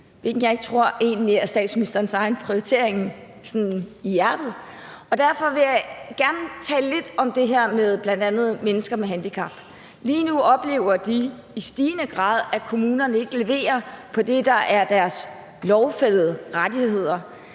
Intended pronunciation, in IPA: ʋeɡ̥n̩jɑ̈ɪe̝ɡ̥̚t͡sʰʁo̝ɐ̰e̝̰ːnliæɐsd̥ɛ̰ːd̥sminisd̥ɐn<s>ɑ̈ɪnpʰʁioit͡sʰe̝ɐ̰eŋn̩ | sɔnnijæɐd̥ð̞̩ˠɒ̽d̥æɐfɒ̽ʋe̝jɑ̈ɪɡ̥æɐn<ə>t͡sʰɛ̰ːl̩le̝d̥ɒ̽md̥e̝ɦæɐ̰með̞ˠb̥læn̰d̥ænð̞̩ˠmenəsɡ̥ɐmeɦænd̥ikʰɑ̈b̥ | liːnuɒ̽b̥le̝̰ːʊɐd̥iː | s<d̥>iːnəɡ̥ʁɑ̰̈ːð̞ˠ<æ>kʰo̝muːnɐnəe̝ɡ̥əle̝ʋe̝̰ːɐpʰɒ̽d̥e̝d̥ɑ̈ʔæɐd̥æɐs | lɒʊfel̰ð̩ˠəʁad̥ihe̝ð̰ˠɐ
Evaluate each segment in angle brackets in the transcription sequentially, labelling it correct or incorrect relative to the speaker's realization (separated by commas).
correct, correct, correct, correct